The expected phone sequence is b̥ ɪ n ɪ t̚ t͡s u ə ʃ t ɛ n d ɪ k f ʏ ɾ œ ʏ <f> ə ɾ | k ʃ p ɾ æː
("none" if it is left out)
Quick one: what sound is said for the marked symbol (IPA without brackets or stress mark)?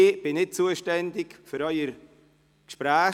none